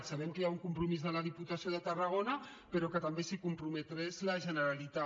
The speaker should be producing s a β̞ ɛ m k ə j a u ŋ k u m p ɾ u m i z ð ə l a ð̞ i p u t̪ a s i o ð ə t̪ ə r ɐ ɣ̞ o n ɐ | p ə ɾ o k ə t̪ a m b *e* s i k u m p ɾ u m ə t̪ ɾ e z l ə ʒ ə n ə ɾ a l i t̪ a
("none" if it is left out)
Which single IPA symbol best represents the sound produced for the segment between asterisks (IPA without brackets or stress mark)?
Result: e